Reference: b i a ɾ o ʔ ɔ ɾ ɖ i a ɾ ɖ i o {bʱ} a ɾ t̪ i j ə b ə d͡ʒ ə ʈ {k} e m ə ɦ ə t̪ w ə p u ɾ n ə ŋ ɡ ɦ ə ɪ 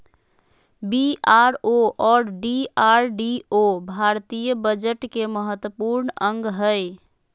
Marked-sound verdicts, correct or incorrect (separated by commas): correct, correct